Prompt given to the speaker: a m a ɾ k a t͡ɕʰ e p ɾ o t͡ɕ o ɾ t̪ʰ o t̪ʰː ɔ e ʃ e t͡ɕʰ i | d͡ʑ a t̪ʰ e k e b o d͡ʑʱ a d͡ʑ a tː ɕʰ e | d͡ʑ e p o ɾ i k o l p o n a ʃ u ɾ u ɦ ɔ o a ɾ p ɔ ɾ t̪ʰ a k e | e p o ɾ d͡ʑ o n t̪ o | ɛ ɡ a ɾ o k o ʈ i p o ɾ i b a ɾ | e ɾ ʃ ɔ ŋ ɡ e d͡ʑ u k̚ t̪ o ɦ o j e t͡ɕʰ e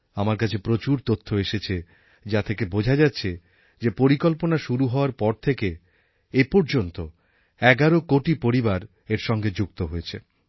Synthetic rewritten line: a m a ɾ k a t͡ɕʰ e p ɾ o t͡ɕ u ɾ t̪ o t̪ʰː o e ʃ e t͡ɕʰ e | d͡ʑ a t̪ʰ e k e b o d͡ʑʱ a d͡ʑ a tː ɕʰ e | d͡ʑ e p o ɾ i k o l p o n a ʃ u ɾ u ɦ ɔ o a ɾ p ɔ ɾ t̪ʰ e k e | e p o ɾ d͡ʑ o n t̪ o | ɛ ɡ a ɾ o k o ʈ i p o ɾ i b a ɾ | e ɾ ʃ ɔ ŋ ɡ e d͡ʑ u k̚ t̪ o ɦ o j e t͡ɕʰ e